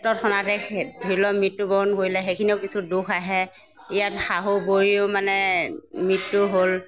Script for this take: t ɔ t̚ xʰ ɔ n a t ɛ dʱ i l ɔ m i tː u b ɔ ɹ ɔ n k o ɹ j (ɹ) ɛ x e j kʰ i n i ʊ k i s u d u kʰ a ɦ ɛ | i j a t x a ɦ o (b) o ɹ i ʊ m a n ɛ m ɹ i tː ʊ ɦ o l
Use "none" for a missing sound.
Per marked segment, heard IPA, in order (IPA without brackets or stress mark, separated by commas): l, b